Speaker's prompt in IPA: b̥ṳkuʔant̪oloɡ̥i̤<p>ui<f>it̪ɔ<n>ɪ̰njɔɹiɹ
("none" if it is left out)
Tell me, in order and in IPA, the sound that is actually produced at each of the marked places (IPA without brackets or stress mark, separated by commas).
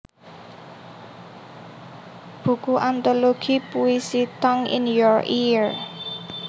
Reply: p, s, ŋ